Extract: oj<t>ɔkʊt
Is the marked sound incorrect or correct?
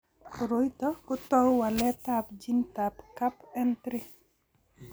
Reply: correct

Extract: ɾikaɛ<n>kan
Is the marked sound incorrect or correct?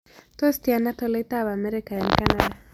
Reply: correct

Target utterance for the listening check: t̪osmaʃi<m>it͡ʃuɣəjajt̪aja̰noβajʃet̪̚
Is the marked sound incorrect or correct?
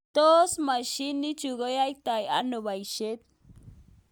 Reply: incorrect: n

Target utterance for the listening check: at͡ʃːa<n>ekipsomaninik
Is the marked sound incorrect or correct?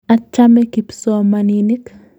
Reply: incorrect: m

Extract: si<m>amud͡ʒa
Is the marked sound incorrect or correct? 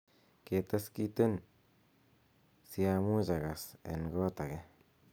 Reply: incorrect: none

